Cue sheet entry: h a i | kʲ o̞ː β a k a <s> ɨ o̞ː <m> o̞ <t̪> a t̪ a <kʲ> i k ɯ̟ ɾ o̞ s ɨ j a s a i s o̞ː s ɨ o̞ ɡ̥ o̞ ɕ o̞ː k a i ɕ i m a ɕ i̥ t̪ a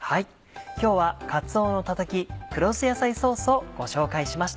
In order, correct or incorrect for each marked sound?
incorrect: t͡s, incorrect: n, correct, correct

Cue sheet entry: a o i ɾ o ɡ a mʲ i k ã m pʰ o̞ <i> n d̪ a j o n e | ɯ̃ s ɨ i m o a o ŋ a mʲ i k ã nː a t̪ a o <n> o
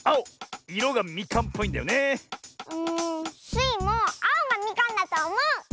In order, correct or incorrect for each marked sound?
incorrect: ĩ, incorrect: m

